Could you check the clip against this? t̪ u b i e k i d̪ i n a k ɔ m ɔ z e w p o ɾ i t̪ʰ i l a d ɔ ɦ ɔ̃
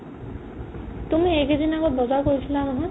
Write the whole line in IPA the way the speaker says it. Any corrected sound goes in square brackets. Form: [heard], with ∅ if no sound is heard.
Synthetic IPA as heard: t̪ u [m] i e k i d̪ i n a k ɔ [b] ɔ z [a] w [k] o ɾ i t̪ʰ i l a [n] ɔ ɦ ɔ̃